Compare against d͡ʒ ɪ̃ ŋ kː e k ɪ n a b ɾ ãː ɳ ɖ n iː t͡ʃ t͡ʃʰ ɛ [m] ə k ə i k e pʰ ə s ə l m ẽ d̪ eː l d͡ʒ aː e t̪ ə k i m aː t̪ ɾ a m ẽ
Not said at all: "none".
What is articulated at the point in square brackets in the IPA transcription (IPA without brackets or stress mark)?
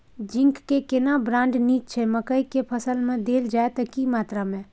m